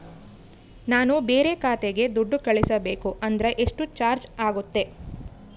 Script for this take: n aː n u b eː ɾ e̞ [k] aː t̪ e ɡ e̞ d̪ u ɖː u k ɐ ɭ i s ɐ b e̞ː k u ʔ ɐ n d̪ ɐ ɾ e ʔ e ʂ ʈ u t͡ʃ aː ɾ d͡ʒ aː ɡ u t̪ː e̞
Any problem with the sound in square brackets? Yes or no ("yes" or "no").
no